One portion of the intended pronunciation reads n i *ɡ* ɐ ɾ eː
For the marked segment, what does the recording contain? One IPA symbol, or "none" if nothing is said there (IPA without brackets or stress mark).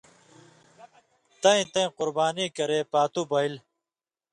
k